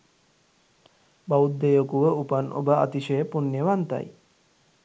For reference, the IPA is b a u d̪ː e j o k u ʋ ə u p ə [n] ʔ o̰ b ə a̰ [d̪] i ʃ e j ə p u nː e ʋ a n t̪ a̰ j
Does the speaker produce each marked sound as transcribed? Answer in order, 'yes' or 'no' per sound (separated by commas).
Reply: yes, no